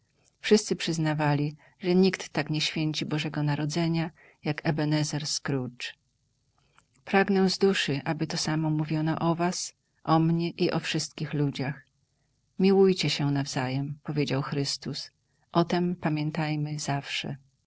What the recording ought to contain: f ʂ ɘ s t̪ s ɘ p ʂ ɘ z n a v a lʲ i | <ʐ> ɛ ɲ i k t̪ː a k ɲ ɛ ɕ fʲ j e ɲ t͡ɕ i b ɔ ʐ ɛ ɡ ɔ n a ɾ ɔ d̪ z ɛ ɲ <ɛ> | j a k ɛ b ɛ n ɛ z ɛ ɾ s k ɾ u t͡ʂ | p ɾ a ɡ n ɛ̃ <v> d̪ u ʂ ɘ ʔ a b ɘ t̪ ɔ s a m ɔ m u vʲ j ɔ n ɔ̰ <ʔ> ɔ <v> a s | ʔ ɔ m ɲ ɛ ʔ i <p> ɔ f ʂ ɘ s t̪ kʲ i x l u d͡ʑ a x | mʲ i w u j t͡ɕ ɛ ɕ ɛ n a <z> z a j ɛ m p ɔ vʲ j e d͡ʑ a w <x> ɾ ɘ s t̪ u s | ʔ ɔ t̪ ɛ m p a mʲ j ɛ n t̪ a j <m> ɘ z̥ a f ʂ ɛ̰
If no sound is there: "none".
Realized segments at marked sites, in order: ʐ, a, z, ʔ, v, ʔ, v, x, m

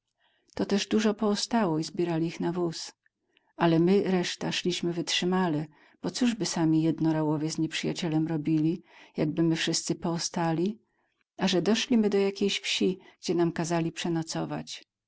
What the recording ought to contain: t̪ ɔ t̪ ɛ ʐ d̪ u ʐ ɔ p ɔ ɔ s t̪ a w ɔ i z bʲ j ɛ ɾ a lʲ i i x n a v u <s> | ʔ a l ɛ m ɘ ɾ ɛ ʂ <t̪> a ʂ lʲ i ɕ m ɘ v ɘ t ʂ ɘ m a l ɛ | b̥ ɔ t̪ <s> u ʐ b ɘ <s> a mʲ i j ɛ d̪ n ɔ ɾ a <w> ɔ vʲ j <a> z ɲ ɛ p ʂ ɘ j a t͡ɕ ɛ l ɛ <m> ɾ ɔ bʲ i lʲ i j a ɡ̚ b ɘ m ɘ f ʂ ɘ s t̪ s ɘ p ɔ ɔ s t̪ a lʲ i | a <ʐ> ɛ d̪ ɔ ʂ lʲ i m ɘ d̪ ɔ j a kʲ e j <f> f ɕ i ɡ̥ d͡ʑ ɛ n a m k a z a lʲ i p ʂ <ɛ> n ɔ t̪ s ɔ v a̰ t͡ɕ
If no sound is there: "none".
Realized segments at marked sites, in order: s, t̪, s, s, w, ɛ, m, ʐ, ɕ, ɛ

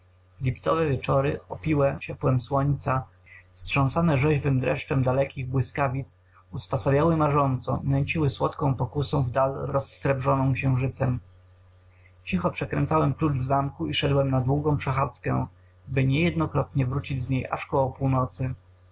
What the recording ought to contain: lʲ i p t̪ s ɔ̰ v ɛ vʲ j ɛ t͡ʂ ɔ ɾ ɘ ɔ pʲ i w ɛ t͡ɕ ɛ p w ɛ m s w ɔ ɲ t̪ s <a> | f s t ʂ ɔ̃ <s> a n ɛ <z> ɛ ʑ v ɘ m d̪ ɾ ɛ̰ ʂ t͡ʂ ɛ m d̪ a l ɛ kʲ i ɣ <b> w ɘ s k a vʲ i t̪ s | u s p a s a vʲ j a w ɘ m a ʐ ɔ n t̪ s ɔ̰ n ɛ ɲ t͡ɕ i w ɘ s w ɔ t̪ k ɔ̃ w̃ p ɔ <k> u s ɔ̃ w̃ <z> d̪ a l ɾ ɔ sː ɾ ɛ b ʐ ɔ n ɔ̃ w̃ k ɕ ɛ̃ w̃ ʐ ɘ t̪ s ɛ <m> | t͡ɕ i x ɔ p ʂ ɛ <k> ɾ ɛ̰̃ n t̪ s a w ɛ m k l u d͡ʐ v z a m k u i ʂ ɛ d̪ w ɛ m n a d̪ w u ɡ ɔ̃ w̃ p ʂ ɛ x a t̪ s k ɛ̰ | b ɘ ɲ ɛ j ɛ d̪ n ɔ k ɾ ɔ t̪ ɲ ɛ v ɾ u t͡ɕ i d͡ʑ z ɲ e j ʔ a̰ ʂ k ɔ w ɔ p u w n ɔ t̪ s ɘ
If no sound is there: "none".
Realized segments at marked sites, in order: a, s, ʐ, b, k, v, m, k

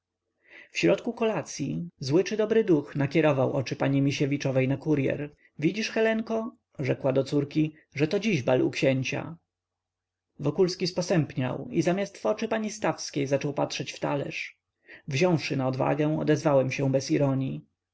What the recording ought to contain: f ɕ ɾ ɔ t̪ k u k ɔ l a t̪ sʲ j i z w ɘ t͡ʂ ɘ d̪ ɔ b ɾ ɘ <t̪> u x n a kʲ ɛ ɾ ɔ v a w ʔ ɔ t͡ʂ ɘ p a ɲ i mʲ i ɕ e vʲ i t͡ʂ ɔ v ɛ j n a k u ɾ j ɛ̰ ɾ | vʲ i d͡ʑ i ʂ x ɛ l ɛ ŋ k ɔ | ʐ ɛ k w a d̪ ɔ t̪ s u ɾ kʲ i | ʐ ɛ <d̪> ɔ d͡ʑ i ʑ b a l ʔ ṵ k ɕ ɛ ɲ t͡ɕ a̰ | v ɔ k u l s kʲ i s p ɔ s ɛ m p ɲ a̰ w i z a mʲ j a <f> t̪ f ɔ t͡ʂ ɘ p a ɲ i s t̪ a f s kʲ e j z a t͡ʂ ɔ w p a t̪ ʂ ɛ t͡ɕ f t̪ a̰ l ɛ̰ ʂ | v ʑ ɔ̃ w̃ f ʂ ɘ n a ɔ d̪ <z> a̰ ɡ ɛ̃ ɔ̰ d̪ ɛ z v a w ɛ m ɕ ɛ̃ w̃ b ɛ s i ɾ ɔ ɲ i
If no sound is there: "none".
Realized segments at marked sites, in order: d̪, t̪, s, v

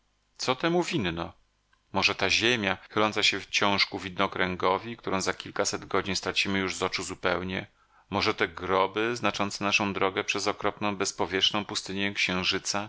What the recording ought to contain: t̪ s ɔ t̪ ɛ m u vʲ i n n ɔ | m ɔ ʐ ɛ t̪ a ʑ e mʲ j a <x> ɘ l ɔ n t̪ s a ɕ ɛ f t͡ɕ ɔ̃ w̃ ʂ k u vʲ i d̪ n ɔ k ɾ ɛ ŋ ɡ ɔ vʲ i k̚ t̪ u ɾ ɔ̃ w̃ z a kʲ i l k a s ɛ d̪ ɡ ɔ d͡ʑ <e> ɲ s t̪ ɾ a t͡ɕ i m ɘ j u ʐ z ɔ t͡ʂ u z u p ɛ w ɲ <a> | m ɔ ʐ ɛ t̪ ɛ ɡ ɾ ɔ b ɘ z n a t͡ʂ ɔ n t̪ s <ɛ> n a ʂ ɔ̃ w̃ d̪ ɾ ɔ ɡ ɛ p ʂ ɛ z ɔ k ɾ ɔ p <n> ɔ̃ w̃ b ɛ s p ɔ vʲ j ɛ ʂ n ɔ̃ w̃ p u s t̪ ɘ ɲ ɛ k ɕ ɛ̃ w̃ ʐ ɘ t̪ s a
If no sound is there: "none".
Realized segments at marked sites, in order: x, i, ɛ, ɛ, n

